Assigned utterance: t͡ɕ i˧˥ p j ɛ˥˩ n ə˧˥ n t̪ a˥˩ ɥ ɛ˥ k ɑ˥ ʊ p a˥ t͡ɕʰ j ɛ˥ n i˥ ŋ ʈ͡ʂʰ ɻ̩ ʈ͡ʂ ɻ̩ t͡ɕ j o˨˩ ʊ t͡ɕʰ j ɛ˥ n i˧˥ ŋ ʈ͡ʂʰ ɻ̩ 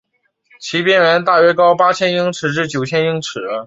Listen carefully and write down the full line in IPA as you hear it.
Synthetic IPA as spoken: t͡ɕʰ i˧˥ p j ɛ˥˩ n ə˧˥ n t̪ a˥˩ ɥ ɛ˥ k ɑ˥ ʊ p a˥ t͡ɕʰ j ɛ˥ n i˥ ŋ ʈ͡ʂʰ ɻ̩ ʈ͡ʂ ɻ̩ t͡ɕ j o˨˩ ʊ t͡ɕʰ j ɛ˥ n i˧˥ ŋ ʈ͡ʂʰ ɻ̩